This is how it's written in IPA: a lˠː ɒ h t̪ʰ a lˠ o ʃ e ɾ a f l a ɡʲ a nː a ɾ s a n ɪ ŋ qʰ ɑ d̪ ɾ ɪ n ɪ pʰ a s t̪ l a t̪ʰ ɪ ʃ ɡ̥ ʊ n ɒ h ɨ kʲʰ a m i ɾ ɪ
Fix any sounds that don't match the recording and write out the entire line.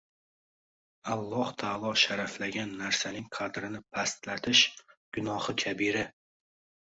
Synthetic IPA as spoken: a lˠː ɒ h t̪ʰ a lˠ ɒ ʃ a ɾ a f l a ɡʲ a nː a ɾ s a n ɪ ŋ qʰ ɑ d̪ ɾ ɪ n ɪ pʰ a s t̪ l a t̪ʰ ɪ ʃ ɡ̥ ʊ n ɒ h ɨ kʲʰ a b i ɾ ɪ

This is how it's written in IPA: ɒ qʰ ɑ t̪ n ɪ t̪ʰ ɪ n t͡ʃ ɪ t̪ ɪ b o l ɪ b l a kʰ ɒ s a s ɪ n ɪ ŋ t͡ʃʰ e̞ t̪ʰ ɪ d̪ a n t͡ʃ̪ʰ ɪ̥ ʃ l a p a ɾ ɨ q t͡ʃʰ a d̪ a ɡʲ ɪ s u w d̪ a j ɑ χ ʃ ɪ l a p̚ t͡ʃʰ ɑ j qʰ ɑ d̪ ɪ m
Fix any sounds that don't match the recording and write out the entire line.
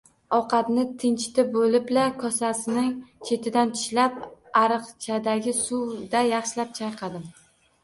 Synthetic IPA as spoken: ɒ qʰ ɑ t̪ n ɪ t̪ʰ ɪ n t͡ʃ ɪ t̪ ɪ b o l ɪ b l a kʰ ɒ s a s ɪ n ɪ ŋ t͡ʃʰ e̞ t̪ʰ ɪ d̪ a n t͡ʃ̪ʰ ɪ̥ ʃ l a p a ɾ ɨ q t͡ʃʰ a d̪ a ɡʲ ɪ s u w d̪ a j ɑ χ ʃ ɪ l a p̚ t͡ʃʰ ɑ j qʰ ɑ d̪ ɪ m

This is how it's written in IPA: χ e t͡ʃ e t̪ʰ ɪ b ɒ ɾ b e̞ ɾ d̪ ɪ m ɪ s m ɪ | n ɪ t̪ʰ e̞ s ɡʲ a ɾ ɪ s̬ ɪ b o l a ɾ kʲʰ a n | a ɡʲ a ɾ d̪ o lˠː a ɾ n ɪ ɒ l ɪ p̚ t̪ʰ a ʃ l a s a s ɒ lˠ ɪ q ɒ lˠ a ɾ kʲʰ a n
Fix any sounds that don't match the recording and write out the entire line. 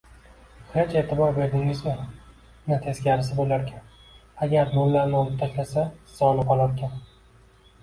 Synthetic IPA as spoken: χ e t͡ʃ e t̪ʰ ɪ b ɒ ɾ b e̞ ɾ d̪ ɪ ŋ ɪ z m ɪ | n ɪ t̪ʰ e̞ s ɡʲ a ɾ ɪ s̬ ɪ b o l a ɾ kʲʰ a n | a ɡʲ a ɾ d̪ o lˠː a ɾ n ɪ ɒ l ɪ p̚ t̪ʰ a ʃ l a s a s ɒ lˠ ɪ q ɒ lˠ a ɾ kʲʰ a n

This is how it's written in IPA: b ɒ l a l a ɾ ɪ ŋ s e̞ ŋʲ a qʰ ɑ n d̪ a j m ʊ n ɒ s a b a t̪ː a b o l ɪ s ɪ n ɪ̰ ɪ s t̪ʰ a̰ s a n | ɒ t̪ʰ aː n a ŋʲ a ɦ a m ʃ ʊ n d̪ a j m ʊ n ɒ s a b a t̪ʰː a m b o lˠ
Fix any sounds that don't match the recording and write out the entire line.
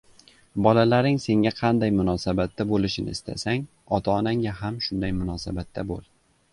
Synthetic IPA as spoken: b ɒ l a l a ɾ ɪ ŋ s e̞ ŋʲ a qʰ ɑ n d̪ a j m ʊ n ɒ s a b a t̪ː a b o l ɪ ʃ ɪ n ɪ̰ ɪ s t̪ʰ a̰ s a ŋ | ɒ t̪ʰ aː n a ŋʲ a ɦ a m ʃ ʊ n d̪ a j m ʊ n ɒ s a b a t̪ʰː a b o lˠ

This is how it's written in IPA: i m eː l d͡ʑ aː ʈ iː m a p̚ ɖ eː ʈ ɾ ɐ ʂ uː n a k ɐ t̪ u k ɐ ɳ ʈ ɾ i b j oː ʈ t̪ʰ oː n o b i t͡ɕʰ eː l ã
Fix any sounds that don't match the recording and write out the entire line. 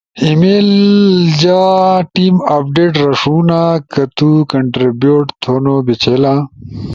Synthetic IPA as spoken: i m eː l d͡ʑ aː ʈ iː m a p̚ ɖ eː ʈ ɾ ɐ ʂ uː n a k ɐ t̪ u k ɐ ɳ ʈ ɾ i b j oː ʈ t̪ʰ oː n o b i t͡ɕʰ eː l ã

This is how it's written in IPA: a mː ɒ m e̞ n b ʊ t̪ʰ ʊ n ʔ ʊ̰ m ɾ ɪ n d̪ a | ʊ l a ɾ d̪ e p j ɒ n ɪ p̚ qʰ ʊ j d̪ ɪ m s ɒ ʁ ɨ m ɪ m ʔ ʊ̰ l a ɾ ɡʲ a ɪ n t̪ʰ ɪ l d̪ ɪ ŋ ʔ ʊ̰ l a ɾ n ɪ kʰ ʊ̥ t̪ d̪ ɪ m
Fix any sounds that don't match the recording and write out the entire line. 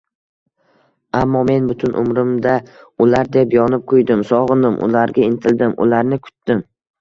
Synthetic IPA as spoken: a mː ɒ m e̞ n b ʊ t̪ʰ ʊ n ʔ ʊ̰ m ɾ ɪ m d̪ a | ʊ l a ɾ d̪ e p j ɒ n ɪ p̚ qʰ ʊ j d̪ ɪ m s ɒ ʁ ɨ n ɪ m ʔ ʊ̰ l a ɾ ɡʲ a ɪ n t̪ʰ ɪ l d̪ ɪ m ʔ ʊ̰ l a ɾ n ɪ kʰ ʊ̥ t̪ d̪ ɪ m

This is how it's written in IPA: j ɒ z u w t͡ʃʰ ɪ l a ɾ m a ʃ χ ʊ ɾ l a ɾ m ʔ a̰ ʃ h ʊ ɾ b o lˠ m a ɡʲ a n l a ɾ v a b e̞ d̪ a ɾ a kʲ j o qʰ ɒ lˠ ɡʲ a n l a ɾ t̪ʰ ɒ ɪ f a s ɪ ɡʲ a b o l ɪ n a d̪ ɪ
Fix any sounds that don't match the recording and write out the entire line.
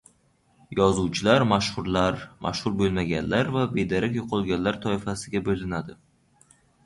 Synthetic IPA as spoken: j ɒ z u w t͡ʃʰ ɪ l a ɾ m a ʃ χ ʊ ɾ l a ɾ m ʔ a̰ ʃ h ʊ ɾ b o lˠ m a ɡʲ a n l a ɾ v a b e̞ d̪ a ɾ a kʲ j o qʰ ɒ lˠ ɡʲ a n l a ɾ t̪ʰ ɒ ɪ f a s ɪ ɡʲ a b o l ɪ n a d̪ ɪ

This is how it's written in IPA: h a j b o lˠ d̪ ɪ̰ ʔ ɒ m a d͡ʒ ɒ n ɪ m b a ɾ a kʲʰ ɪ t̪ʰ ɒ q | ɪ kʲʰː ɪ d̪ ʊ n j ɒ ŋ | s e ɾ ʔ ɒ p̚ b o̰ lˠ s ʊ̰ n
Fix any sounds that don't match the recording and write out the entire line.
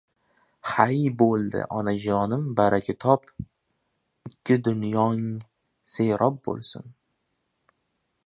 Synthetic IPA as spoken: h a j b o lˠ d̪ ɪ̰ ʔ ɒ n a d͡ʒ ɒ n ɪ m b a ɾ a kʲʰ ɪ t̪ʰ ɒ p | ɪ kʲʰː ɪ d̪ ʊ n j ɒ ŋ | s e ɾ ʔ ɒ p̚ b o̰ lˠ s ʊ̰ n

